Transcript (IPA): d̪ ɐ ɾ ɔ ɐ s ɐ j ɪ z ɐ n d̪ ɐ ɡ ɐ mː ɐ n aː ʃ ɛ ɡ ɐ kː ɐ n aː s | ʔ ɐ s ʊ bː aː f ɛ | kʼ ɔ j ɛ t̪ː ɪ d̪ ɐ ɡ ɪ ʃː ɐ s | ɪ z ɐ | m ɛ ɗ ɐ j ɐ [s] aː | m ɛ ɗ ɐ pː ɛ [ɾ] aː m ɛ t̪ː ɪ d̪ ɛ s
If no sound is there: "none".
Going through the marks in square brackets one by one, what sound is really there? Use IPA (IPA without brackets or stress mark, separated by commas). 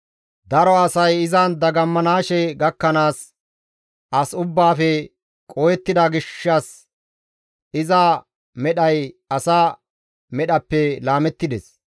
s, l